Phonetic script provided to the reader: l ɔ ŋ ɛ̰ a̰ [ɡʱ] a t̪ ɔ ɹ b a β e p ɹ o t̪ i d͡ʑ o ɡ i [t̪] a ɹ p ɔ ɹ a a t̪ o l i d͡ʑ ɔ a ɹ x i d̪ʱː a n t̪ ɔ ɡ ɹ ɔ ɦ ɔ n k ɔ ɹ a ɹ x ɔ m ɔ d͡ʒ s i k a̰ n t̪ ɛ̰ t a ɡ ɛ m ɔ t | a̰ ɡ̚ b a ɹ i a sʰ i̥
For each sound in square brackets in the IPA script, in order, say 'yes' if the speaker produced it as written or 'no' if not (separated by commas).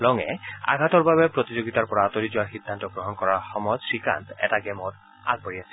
yes, yes